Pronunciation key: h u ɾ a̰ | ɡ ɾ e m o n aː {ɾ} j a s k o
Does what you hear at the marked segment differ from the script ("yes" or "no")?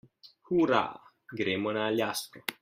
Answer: yes